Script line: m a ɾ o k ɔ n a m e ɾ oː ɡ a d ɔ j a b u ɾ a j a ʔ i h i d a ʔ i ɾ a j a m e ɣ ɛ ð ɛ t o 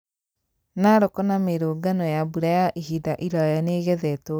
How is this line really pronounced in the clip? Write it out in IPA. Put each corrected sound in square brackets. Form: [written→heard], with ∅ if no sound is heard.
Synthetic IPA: [m→n] a ɾ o k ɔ n a m e ɾ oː ɡ a [d→n] ɔ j a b u ɾ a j a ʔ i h i d a ʔ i ɾ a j a [m→n] e ɣ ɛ ð ɛ t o